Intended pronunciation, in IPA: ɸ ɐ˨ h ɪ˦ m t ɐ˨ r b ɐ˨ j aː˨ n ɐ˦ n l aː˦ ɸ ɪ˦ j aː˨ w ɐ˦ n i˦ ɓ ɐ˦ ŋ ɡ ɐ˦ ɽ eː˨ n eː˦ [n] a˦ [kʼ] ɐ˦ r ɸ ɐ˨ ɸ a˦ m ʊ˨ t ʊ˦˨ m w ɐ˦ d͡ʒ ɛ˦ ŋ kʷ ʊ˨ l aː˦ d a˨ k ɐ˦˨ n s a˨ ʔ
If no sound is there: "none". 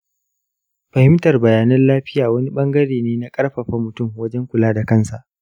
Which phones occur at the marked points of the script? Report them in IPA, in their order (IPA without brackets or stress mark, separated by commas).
n, kʼ